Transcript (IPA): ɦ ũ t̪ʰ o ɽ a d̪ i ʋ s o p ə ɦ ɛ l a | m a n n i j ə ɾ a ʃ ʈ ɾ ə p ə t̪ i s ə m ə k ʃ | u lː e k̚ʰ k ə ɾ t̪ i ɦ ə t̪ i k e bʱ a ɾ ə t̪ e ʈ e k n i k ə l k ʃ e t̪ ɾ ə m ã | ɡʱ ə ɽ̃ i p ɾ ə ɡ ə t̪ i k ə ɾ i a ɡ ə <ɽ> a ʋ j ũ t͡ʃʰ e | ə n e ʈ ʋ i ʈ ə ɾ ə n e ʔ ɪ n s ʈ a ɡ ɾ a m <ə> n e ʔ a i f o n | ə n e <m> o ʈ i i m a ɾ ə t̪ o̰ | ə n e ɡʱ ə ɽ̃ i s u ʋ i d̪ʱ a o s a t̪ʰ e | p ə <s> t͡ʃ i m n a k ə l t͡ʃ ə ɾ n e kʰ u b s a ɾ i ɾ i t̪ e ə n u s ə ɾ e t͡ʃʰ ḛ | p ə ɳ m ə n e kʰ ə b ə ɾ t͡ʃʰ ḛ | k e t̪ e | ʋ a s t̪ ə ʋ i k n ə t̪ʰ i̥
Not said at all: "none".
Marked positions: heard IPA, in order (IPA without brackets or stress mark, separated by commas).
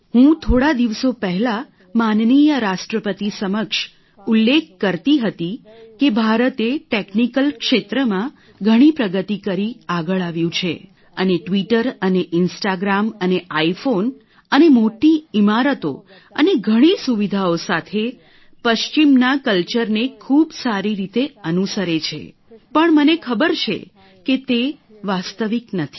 ɭ, ə, m, ʃ